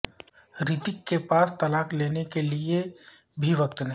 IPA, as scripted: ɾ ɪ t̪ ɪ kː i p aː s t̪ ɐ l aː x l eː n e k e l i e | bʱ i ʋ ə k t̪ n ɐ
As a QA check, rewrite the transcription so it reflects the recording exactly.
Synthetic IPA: ɾ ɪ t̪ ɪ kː e p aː s t̪ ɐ l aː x l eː n e k e l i e | bʱ i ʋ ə k t̪ n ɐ